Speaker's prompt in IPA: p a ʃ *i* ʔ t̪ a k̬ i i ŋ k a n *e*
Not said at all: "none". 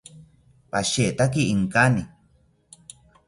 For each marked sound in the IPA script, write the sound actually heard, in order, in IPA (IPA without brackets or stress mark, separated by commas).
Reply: e, i